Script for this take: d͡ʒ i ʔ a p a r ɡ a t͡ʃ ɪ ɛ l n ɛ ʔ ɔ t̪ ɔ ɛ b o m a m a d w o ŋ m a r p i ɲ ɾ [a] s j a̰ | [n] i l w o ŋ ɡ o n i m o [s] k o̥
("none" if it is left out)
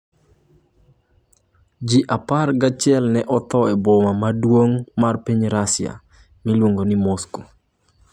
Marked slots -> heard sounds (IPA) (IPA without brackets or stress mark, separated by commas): a, m, s